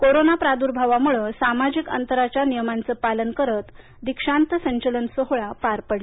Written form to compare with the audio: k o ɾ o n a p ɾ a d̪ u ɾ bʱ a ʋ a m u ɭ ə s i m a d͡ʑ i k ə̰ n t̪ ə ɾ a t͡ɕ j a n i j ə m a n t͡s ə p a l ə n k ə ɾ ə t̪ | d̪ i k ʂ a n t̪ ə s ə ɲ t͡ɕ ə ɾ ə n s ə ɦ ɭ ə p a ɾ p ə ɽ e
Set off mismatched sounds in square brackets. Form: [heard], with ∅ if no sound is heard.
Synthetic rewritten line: k o ɾ o n a p ɾ a d̪ u ɾ bʱ a ʋ a m u ɭ ə s [a] m a d͡ʑ i k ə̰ n t̪ ə ɾ a t͡ɕ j a n i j ə m a n t͡s ə p a l ə n k ə ɾ ə t̪ | d̪ i k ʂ a n t̪ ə s ə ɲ t͡ɕ ə [l] ə n s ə ɦ ɭ [a] p a ɾ p ə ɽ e